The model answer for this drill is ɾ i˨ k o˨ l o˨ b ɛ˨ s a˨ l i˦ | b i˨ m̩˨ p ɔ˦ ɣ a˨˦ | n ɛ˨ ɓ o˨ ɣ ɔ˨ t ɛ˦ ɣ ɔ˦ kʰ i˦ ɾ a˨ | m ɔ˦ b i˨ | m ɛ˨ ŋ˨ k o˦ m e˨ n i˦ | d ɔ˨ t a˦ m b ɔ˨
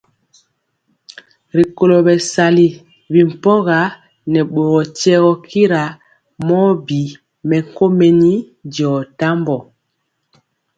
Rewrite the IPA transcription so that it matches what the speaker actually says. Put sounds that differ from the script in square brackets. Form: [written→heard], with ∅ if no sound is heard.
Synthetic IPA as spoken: ɾ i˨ k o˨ l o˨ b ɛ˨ s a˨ l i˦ | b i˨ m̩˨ p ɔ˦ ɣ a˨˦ | n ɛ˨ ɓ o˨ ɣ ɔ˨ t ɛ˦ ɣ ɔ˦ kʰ i˦ ɾ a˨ | m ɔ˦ b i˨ | m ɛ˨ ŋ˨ k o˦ m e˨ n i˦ | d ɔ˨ t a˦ m b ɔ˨